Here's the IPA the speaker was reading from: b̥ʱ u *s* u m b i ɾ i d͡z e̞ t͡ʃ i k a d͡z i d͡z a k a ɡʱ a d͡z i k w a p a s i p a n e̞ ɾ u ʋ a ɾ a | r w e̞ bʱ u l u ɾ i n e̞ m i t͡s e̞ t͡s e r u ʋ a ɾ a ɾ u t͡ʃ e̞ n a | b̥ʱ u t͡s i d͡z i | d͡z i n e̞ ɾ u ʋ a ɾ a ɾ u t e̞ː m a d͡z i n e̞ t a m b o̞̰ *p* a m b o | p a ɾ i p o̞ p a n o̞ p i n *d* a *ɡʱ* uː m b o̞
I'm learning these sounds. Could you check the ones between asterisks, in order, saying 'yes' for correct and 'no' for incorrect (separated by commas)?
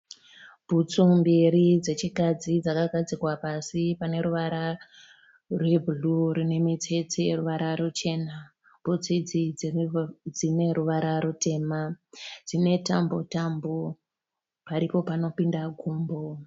no, no, yes, yes